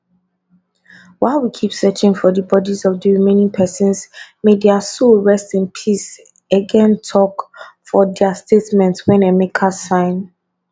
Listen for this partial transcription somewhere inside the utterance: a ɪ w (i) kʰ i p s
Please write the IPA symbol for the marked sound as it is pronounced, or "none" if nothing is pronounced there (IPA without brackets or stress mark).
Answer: i